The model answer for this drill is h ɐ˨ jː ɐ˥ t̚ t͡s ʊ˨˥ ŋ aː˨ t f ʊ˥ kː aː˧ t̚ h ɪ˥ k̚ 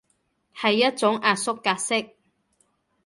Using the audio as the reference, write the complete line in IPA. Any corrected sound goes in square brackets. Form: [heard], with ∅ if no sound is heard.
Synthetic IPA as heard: h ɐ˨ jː ɐ˥ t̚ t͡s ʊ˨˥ ŋ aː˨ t [s] ʊ˥ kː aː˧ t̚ [s] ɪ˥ k̚